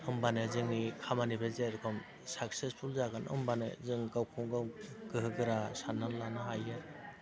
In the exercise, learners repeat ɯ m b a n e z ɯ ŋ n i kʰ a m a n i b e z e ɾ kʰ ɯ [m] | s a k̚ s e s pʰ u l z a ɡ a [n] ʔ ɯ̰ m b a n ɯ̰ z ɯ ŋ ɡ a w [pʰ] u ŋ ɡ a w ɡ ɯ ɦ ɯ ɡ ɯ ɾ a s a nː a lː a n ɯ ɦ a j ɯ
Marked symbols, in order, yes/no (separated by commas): yes, yes, no